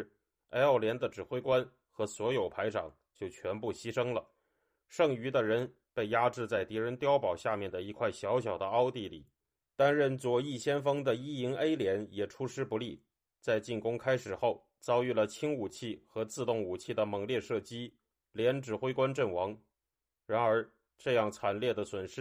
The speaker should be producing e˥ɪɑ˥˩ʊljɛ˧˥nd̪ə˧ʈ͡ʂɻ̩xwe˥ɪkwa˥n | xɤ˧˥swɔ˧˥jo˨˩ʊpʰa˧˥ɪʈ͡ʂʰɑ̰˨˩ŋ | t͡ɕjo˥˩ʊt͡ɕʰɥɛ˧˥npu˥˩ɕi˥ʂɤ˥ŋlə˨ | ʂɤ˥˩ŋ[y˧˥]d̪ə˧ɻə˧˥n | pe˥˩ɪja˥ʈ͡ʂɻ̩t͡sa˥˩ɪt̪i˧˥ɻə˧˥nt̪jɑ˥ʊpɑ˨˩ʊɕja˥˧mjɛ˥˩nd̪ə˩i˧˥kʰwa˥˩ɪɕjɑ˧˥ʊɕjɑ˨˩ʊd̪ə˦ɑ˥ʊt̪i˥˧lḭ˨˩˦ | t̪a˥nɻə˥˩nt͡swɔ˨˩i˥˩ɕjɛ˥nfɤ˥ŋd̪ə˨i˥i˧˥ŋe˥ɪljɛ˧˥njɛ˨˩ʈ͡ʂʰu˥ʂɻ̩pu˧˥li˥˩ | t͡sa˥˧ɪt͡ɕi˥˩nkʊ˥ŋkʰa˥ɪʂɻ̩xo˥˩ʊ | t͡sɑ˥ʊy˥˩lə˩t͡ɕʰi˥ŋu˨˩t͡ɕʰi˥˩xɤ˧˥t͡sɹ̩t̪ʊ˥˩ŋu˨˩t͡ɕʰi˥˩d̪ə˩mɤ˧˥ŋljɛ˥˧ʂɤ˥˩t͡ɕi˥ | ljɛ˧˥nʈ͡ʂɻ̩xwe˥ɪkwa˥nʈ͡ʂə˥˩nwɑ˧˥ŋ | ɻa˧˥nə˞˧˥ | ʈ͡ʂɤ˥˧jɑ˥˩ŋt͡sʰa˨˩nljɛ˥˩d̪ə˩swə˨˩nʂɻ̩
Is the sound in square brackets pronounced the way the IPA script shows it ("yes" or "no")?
yes